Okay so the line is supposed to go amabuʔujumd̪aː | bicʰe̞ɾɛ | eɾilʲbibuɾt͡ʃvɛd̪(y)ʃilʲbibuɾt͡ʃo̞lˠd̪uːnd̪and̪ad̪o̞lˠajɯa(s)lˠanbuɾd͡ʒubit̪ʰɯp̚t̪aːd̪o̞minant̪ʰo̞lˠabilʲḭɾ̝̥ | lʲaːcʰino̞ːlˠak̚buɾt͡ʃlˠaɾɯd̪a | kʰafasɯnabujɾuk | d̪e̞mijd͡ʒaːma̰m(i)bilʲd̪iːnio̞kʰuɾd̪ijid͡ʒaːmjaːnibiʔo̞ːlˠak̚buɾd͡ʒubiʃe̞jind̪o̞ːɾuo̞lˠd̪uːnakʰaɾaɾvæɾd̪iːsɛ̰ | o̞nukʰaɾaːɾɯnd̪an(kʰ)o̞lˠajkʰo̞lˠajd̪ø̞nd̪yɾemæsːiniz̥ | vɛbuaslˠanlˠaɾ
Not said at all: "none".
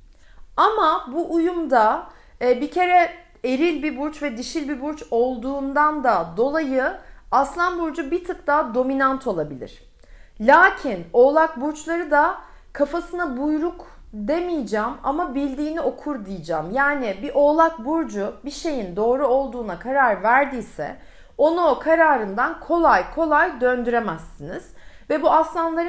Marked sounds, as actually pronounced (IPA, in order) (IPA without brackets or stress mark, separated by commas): i, s, a, kʰ